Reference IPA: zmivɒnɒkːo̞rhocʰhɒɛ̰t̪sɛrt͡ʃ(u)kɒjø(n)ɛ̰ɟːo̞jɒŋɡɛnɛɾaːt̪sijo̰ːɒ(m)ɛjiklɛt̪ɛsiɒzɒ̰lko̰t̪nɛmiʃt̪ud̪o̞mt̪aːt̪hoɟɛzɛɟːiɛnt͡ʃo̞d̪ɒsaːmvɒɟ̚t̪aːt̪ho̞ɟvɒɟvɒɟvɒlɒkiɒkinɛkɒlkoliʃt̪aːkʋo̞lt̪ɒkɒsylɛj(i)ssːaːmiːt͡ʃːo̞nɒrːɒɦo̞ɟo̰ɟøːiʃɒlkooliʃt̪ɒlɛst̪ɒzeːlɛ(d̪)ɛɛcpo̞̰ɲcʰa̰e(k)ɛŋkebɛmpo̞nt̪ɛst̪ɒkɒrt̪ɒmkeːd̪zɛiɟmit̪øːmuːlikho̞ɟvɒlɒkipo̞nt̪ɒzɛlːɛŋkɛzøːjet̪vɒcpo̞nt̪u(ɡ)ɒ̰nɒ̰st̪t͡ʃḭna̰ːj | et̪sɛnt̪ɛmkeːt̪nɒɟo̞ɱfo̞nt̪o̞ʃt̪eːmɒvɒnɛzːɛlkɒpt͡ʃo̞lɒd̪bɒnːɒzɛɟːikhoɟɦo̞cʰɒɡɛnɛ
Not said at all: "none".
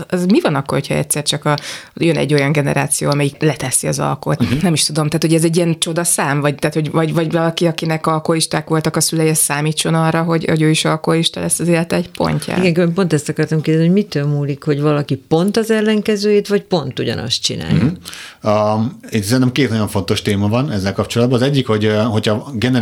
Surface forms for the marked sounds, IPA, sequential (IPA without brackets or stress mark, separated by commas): ɒ, n, m, ɛ, t̪, ɡ, ɟ